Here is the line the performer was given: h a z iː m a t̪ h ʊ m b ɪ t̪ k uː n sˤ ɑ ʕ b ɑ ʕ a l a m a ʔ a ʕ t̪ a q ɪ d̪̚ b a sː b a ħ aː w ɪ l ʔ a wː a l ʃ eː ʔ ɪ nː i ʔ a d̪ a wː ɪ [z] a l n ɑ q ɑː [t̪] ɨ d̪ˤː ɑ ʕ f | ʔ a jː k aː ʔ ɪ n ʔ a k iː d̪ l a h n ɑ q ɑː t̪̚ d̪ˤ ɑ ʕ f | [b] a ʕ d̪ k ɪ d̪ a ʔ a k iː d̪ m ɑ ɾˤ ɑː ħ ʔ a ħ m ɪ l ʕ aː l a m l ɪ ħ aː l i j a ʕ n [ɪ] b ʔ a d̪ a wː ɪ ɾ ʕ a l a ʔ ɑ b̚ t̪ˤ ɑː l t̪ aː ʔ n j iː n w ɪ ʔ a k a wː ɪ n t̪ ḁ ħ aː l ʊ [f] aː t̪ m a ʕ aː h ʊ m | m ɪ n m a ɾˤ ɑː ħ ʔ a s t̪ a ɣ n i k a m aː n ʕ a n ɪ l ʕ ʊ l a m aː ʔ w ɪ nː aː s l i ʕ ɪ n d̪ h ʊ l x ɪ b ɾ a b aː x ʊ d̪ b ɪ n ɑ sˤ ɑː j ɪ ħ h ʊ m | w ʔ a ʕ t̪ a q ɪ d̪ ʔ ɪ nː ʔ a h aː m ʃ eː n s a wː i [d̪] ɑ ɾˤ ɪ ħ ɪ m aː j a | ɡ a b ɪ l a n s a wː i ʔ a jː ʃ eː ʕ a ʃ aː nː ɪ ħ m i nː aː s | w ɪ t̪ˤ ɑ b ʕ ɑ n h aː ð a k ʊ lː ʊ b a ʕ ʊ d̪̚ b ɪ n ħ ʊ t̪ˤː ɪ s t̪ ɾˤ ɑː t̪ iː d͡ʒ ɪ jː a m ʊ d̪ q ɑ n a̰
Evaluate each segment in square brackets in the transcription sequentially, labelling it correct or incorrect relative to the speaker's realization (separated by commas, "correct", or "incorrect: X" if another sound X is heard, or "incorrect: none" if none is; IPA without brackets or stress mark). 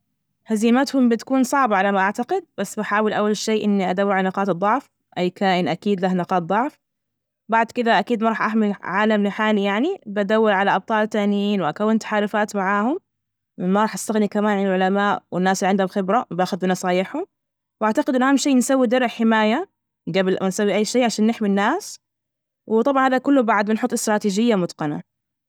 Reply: incorrect: ʕ, correct, correct, incorrect: i, correct, correct